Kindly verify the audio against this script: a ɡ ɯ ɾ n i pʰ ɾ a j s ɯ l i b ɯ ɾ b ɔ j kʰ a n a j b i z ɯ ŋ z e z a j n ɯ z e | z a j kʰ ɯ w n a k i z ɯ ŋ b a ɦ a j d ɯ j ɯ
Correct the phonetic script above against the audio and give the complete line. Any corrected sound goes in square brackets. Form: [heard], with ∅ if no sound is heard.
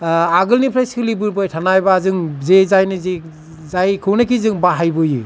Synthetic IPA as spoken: a ɡ ɯ [l] n i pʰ ɾ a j s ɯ l i b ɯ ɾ b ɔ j [tʰ] a n a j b [a] z ɯ ŋ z e z a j n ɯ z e | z a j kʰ ɯ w n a k i z ɯ ŋ b a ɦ a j [b] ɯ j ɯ